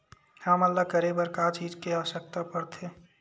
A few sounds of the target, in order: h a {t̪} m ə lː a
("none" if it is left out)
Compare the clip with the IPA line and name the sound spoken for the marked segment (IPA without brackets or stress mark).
none